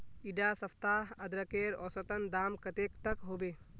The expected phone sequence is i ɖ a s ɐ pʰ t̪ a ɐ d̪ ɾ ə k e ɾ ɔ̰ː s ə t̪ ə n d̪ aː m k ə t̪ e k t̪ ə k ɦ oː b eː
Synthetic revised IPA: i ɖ a s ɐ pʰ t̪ a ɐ d̪ ɾ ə k e ɾ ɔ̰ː s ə t̪ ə n d̪ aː m k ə t̪ e k t̪ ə k ɦ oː b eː